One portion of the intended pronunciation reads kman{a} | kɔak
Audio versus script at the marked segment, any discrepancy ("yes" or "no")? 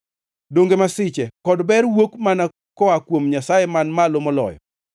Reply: no